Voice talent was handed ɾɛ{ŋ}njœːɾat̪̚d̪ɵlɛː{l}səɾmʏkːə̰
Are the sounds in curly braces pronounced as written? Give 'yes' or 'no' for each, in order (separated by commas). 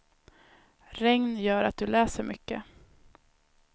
yes, no